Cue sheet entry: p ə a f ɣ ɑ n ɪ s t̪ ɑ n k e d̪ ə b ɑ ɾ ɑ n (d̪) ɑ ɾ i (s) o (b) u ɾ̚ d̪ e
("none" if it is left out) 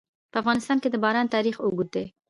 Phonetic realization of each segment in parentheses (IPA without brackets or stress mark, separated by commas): t̪, x, ɡ